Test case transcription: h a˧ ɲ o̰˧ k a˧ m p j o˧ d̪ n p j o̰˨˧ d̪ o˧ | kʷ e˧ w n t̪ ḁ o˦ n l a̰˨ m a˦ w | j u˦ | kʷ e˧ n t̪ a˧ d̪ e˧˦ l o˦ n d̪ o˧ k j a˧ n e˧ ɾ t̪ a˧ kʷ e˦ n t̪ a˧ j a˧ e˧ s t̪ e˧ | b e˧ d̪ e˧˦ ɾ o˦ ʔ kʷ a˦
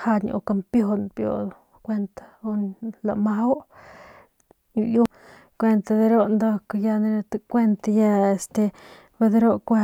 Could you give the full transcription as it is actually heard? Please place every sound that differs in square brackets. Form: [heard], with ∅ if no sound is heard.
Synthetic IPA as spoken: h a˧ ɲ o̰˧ k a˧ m p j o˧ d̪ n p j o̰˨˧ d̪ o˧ | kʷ e˧ [∅] n t̪ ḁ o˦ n l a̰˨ m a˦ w | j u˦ | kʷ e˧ n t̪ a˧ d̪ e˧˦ [ɾ] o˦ n d̪ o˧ k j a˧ n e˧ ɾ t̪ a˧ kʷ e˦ n t̪ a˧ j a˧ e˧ s t̪ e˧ | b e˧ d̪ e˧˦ ɾ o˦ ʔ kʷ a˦